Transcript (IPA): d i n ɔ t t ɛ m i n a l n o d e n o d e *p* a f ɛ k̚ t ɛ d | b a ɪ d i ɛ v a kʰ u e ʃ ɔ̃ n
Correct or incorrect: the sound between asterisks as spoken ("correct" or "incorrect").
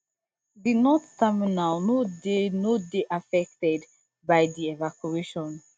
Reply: incorrect